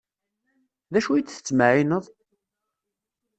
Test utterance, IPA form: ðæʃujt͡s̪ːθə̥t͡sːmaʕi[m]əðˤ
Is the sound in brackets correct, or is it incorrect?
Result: incorrect